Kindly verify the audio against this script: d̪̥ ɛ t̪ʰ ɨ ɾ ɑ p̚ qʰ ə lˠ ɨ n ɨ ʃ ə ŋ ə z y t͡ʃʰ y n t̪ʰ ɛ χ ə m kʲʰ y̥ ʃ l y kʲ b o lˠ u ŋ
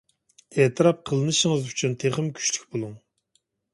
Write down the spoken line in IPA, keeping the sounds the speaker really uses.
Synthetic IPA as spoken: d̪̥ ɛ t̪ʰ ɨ ɾ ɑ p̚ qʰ ə lˠ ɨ n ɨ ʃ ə ŋ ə z y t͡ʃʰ y n t̪ʰ e χ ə m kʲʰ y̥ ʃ l y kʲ b o lˠ u ŋ